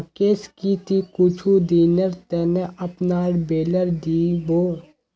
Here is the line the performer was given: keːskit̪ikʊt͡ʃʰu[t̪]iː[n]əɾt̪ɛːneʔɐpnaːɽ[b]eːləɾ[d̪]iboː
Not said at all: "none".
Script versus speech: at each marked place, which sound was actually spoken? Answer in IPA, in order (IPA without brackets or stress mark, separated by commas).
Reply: d̪, n, b, d̪